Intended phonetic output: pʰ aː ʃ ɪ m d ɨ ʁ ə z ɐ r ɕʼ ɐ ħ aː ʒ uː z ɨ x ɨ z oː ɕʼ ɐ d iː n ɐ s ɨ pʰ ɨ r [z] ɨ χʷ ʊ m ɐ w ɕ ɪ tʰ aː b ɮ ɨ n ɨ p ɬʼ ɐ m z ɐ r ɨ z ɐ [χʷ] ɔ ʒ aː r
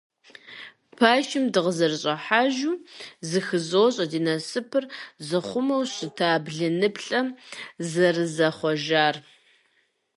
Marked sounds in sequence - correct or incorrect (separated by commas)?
correct, correct